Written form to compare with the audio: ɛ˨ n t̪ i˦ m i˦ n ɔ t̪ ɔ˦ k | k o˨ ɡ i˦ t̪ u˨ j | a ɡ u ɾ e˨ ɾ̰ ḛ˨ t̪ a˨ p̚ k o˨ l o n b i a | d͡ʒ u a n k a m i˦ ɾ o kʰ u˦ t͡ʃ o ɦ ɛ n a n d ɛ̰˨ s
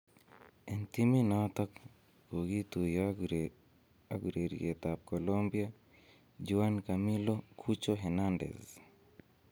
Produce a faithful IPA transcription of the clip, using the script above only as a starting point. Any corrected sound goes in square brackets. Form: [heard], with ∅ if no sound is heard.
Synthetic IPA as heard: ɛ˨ n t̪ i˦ m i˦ n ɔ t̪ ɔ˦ k | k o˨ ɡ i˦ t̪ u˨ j | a ɡ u ɾ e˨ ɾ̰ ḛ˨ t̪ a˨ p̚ k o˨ l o [m] b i a | d͡ʒ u a n k a m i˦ [l] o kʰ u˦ t͡ʃ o ɦ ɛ n a n d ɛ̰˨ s